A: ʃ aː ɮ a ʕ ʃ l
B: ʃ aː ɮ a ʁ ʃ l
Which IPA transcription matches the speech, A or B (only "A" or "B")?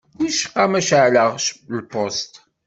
B